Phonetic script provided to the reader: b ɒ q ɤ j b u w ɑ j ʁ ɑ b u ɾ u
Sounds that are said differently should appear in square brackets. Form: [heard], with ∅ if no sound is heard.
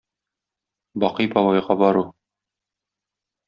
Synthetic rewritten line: b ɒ q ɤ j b [ɒ] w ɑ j ʁ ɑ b [ɒ] ɾ u